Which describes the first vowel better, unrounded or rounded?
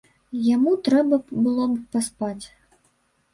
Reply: unrounded